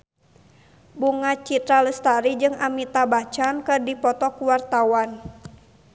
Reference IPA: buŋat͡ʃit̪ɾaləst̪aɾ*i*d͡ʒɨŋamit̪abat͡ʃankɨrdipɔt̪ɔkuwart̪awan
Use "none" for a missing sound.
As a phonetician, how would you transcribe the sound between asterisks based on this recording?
i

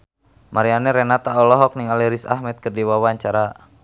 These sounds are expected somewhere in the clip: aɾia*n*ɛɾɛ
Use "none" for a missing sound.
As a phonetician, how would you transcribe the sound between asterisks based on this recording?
n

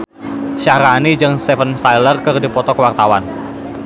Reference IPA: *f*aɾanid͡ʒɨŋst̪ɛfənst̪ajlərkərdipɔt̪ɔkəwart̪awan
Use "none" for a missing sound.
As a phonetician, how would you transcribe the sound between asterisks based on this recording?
ʃ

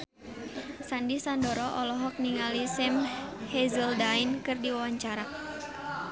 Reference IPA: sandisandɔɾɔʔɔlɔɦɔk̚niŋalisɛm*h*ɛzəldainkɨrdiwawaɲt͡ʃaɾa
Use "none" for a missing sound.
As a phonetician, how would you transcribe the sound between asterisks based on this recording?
h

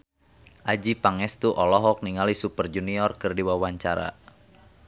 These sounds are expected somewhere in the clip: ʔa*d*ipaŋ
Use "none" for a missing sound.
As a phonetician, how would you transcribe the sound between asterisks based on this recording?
d͡ʒ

